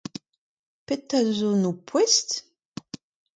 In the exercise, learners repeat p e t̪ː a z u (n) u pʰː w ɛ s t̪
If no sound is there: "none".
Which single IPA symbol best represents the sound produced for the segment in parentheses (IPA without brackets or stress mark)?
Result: n